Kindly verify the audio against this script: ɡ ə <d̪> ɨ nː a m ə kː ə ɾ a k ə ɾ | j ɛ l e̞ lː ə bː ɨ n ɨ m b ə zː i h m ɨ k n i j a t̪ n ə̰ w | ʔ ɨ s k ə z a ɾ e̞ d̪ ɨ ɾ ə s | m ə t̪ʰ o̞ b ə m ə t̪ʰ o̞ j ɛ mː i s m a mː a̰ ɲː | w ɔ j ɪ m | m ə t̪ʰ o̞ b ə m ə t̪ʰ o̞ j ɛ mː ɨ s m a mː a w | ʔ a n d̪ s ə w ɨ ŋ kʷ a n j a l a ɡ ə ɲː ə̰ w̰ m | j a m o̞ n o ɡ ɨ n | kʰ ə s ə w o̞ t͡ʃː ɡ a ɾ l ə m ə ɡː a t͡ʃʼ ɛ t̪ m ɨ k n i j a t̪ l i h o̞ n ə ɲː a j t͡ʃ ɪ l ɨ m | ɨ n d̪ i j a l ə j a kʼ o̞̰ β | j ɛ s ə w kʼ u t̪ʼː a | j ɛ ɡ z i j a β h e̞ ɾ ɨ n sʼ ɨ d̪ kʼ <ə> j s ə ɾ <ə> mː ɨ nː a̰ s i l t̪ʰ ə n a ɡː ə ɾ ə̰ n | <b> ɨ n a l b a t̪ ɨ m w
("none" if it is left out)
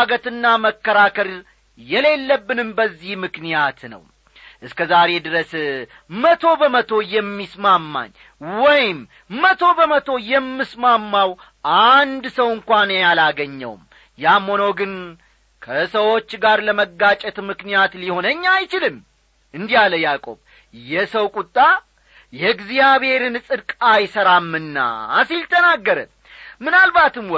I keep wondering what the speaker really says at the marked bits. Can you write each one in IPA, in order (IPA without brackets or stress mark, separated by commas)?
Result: t̪, a, a, m